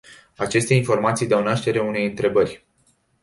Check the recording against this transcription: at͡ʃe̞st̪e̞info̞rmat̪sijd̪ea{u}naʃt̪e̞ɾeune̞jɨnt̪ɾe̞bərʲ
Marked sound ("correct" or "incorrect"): incorrect